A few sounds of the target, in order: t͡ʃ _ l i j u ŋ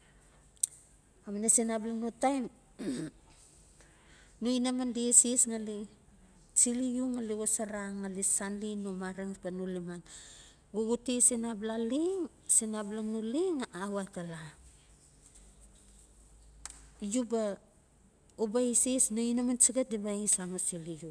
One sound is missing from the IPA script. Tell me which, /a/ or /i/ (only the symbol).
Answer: i